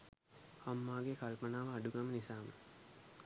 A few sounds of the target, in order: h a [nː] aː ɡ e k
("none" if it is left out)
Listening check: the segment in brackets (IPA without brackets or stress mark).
mː